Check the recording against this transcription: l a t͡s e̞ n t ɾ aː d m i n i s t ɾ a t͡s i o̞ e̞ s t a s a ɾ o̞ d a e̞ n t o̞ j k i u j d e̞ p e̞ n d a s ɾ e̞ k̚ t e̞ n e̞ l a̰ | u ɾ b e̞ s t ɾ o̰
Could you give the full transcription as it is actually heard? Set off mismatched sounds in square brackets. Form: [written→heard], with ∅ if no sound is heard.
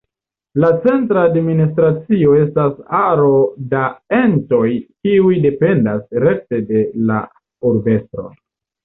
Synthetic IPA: l a t͡s e̞ n t ɾ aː d m i n i s t ɾ a t͡s i o̞ e̞ s t a s a ɾ o̞ d a e̞ n t o̞ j k i u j d e̞ p e̞ n d a s ɾ e̞ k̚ t e̞ [n→d] e̞ l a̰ | u ɾ b e̞ s t ɾ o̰